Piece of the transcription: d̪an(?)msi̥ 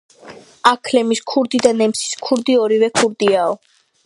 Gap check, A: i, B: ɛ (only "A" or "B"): B